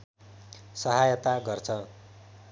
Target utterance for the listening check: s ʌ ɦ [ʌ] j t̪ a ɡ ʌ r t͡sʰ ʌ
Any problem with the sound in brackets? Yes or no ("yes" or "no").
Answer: yes